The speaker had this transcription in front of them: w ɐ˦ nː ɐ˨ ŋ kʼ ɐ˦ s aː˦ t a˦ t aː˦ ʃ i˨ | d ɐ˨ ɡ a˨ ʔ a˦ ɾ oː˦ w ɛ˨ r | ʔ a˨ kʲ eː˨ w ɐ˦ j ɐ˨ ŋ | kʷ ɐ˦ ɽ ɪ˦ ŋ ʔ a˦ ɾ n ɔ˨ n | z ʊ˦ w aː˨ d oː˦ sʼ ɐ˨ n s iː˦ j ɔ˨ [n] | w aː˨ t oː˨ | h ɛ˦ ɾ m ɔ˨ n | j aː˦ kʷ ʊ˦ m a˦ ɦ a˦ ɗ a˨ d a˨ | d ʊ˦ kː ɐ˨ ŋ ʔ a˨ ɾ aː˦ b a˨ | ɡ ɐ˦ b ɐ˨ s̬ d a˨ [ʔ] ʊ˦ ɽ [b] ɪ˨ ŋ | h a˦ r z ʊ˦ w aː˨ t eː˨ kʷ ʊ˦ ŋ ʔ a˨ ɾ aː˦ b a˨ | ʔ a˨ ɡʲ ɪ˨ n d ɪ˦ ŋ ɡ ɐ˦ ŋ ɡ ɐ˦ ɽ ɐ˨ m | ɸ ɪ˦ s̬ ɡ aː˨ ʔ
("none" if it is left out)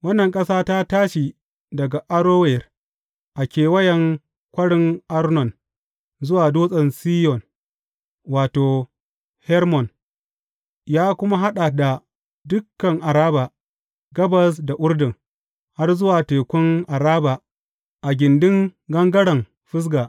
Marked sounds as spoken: n, ʔ, d

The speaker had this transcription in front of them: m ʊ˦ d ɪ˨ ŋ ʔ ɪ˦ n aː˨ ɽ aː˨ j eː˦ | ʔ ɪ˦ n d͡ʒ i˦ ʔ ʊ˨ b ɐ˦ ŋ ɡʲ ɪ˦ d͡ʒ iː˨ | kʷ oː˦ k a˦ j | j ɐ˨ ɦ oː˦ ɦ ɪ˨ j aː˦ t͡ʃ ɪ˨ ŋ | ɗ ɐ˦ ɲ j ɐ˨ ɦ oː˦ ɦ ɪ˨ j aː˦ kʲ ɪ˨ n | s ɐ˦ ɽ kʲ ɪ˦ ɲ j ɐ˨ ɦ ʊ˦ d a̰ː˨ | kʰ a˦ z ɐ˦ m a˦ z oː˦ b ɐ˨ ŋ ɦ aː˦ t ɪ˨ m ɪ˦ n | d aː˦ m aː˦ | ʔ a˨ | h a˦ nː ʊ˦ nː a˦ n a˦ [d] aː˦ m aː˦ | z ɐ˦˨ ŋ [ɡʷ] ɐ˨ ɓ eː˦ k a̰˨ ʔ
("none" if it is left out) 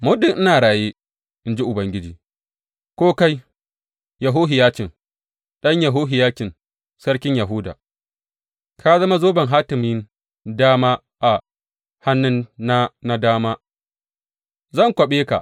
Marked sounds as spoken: d, kʷ

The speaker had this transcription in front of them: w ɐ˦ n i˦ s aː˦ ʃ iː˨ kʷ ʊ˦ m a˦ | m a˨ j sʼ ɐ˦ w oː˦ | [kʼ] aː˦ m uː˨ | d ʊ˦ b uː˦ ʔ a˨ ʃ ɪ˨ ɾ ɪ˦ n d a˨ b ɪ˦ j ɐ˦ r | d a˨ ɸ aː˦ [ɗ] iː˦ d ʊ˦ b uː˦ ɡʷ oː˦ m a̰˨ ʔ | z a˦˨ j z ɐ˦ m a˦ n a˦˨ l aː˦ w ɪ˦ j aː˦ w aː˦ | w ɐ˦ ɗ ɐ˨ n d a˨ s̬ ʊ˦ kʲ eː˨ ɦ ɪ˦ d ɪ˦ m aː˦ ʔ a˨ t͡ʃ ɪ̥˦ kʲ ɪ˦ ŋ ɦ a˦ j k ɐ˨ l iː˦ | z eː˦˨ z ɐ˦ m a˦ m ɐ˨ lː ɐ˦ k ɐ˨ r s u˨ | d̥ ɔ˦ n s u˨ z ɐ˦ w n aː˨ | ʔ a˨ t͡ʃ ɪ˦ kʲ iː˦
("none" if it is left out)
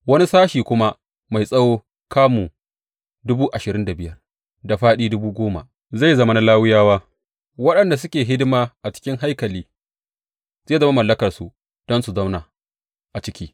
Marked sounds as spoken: k, ɗ

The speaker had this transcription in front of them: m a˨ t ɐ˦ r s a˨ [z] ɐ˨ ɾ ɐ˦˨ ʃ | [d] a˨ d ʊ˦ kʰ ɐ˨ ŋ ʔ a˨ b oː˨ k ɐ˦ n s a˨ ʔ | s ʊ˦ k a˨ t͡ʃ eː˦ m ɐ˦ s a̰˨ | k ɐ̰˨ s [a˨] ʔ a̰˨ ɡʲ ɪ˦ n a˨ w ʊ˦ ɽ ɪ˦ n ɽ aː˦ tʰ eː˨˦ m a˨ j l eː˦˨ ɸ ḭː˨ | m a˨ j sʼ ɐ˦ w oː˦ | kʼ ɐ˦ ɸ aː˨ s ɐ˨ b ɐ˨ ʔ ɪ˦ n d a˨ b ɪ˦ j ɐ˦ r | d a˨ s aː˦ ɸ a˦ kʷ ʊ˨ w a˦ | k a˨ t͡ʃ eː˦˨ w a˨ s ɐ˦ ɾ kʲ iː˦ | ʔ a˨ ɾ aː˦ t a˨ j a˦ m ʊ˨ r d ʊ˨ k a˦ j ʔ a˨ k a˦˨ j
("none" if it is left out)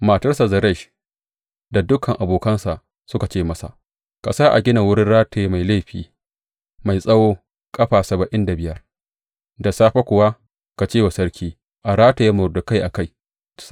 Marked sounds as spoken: z, d, a˦

